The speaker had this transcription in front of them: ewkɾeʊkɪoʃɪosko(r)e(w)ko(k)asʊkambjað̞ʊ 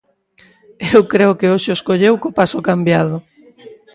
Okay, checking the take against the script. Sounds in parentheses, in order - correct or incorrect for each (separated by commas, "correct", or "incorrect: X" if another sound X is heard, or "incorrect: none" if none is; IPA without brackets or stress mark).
incorrect: ʎ, correct, incorrect: p